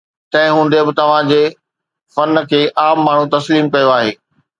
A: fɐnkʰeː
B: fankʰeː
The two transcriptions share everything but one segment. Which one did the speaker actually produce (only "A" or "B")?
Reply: A